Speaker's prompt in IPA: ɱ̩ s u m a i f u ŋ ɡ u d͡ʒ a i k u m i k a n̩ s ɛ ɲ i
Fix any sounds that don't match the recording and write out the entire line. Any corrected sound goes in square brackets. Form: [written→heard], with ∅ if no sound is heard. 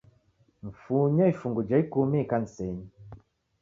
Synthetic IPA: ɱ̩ [s→f] u [m→ɲ] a i f u ŋ ɡ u d͡ʒ a i k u m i k a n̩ s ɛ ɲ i